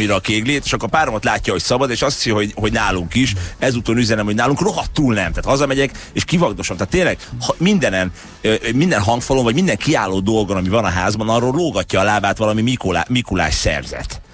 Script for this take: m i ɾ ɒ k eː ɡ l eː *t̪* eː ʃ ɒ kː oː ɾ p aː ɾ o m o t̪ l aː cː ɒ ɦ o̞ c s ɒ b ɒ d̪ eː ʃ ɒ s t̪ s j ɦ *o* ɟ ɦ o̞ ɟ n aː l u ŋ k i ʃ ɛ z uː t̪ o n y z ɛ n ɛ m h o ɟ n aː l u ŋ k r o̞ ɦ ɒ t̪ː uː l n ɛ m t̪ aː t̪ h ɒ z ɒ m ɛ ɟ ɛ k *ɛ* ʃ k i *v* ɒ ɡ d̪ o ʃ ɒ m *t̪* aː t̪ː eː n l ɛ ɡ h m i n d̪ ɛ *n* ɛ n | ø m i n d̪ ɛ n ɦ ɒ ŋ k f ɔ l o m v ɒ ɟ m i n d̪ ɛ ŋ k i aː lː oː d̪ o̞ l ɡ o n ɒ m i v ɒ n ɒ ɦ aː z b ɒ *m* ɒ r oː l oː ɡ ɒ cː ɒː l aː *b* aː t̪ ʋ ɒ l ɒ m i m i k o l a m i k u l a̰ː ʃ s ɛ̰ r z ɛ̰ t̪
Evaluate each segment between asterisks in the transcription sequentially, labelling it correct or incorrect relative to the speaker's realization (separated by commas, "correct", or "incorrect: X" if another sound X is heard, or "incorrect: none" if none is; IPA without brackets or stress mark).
correct, correct, incorrect: e, correct, correct, correct, incorrect: n, correct